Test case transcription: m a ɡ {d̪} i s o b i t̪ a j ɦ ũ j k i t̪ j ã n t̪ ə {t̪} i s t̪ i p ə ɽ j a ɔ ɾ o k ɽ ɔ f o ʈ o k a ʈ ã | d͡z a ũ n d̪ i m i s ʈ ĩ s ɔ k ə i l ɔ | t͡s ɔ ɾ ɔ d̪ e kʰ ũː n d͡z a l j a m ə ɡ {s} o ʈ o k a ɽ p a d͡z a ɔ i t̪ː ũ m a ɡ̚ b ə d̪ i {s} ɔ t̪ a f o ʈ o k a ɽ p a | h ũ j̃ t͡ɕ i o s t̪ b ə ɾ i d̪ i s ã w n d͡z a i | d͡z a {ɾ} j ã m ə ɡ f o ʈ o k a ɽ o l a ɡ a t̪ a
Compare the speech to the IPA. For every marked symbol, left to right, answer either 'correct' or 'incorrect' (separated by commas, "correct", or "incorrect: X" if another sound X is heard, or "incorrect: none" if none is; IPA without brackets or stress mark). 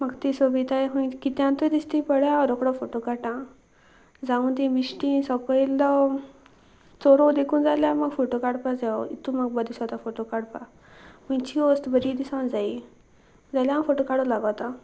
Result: incorrect: t̪, incorrect: d̪, incorrect: f, correct, incorrect: l